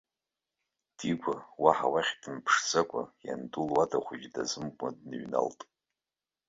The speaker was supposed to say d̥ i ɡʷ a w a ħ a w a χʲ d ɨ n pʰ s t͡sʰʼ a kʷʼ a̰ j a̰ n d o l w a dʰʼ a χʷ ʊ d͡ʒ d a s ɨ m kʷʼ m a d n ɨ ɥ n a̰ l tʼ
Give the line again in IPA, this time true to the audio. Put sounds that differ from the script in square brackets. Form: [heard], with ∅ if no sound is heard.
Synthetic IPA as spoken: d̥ i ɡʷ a w a ħ a w a χʲ d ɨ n pʰ [ʂ] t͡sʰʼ a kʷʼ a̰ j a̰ n d [u] l w a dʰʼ a χʷ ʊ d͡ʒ d a [z] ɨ m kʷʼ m a d n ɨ ɥ n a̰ l tʼ